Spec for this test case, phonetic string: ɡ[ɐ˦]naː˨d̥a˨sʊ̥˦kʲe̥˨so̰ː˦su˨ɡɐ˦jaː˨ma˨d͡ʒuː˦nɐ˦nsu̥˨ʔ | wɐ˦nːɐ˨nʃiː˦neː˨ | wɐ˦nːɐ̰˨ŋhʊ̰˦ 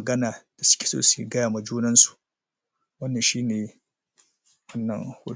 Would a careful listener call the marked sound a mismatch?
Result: no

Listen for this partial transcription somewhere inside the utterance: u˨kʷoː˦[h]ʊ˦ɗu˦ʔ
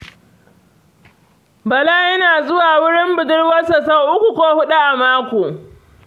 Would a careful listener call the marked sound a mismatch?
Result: no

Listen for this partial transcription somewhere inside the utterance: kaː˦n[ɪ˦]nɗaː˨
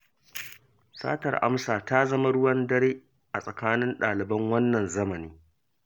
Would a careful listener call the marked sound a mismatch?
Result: no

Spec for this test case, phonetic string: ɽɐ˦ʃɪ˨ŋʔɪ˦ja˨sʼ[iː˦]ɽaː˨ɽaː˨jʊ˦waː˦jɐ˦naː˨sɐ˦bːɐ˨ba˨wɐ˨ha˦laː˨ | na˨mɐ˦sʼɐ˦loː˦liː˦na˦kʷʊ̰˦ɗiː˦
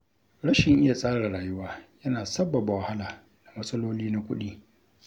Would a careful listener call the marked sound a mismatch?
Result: yes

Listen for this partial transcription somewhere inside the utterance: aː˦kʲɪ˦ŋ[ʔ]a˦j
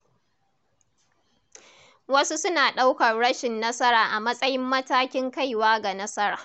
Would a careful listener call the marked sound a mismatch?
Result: yes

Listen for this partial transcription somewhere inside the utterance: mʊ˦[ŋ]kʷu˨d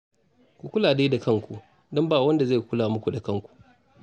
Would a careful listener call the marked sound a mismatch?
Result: yes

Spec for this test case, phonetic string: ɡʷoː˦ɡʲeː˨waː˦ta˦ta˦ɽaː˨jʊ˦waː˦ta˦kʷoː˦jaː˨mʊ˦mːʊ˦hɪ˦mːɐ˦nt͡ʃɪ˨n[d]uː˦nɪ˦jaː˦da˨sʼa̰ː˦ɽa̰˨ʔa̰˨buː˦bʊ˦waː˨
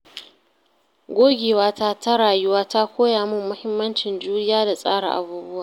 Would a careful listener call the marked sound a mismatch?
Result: yes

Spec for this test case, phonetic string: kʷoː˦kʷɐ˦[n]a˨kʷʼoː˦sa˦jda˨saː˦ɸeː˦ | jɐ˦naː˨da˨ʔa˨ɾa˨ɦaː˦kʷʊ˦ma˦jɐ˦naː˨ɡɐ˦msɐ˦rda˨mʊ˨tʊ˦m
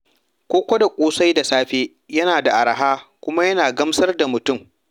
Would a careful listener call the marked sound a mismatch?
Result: yes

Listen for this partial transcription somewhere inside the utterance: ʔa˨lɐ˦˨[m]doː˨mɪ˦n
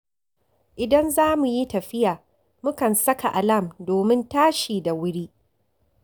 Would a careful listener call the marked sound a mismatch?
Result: no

